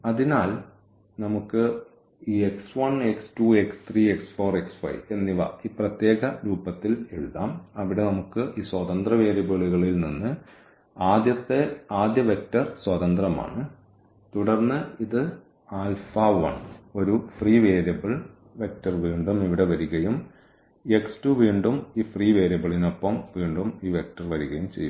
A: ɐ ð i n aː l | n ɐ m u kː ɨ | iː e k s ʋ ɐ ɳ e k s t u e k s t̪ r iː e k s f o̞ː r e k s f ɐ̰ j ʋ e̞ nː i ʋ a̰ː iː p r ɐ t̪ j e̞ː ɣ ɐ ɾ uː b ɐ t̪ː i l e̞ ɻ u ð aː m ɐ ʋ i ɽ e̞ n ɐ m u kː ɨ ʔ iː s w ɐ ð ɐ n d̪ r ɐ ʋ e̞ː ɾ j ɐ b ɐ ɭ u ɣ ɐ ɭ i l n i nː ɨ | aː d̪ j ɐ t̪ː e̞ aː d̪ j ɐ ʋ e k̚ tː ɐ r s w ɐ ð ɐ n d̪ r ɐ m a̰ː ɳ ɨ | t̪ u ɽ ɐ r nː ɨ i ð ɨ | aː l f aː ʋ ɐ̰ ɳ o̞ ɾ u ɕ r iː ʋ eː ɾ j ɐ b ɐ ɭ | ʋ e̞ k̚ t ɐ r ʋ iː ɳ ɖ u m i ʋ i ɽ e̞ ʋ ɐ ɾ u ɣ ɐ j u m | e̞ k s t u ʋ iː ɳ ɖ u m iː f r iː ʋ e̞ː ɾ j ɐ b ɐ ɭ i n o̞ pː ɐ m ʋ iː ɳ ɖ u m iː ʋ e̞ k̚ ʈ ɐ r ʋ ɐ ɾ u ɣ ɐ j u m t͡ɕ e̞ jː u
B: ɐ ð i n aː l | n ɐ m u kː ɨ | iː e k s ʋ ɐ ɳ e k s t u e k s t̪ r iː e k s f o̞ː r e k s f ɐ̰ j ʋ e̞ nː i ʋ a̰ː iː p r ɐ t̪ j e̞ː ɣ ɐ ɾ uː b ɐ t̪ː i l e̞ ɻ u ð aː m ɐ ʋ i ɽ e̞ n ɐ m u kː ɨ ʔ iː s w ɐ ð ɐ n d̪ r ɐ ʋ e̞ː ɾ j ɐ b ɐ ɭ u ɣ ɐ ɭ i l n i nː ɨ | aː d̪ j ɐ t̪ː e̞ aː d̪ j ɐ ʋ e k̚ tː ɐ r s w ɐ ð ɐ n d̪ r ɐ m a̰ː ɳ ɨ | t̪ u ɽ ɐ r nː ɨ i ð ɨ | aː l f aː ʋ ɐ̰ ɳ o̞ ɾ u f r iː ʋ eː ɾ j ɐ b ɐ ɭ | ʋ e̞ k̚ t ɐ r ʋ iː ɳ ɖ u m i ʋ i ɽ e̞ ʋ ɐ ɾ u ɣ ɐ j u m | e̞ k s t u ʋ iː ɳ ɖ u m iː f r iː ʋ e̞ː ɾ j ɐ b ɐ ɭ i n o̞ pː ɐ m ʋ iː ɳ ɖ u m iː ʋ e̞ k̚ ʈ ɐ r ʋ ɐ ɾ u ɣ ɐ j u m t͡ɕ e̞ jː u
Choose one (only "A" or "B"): B